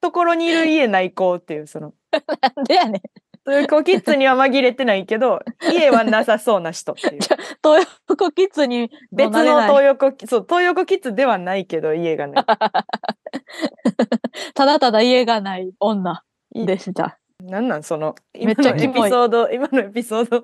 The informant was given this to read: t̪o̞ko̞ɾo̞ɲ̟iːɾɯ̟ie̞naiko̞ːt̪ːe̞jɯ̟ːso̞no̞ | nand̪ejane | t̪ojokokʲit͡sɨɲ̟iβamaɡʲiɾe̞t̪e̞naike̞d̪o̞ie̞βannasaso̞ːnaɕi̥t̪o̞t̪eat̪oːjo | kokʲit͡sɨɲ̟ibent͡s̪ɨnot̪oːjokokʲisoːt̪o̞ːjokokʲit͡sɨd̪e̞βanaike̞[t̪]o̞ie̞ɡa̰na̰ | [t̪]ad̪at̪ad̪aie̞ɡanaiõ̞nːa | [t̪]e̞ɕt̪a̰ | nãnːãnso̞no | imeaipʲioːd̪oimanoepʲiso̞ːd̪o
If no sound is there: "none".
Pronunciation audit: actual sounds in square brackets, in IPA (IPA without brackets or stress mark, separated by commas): d̪, t̪, d̪